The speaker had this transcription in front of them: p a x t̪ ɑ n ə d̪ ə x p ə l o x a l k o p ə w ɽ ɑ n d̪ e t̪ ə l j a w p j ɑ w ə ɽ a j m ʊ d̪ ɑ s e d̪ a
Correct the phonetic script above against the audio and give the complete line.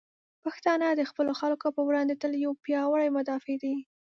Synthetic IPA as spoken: p a x t̪ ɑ n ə d̪ ə x p ə l o x a l k o p ə w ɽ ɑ n d̪ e t̪ ə l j a w p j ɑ w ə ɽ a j m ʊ d̪ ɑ f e d̪ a